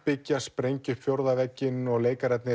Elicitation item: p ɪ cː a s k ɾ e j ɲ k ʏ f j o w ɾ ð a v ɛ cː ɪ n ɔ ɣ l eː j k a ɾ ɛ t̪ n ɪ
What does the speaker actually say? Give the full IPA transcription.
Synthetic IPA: p ɪ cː a s p ɾ e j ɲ c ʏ f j o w ɾ ð a v ɛ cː ɪ n ɔ ɣ l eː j k a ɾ ɛ t̪ n ɪ

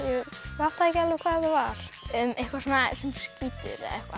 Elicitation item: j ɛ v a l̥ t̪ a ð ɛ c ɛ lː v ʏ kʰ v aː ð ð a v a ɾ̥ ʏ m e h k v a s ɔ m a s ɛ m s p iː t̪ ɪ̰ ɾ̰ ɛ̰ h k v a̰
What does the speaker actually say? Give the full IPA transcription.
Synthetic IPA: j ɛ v a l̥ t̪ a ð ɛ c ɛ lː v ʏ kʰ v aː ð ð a v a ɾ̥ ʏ m e h k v a s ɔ n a s ɛ m s c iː t̪ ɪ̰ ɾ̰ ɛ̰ h k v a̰

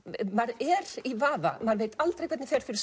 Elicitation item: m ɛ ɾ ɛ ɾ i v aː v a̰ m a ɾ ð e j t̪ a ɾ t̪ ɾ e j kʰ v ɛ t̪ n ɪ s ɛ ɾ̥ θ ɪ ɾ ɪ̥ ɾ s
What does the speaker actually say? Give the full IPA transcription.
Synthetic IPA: m a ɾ ɛ ɾ i v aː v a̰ m a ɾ v e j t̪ a l t̪ ɾ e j kʰ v ɛ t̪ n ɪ f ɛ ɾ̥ f ɪ ɾ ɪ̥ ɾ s

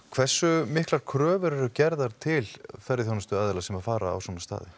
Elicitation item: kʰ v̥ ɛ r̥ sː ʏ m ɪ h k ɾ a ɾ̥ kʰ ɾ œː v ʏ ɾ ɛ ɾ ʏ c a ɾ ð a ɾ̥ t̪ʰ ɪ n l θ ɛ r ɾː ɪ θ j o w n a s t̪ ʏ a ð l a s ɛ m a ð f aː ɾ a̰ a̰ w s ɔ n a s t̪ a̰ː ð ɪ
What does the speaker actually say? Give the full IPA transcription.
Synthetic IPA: kʰ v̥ ɛ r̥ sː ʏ m ɪ h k l a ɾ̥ kʰ ɾ œː v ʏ ɾ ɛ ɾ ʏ c ɛ ɾ ð a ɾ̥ t̪ʰ ɪ l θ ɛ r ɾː ɪ θ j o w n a s t̪ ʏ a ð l a s ɛ m a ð f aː ɾ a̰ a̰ w s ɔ n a s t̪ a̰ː ð ɪ

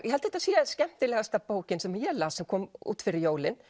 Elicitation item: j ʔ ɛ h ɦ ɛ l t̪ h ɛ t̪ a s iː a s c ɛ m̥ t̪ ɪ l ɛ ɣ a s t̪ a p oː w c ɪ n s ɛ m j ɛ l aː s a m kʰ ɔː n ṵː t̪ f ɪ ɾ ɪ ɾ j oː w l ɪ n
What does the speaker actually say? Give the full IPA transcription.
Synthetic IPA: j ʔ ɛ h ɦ ɛ l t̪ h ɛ t̪ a s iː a s c ɛ m̥ t̪ ɪ l ɛ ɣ a s t̪ a p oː w c ɪ n s ɛ m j ɛ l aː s ɛ m kʰ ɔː m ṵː t̪ f ɪ ɾ ɪ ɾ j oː w l ɪ n

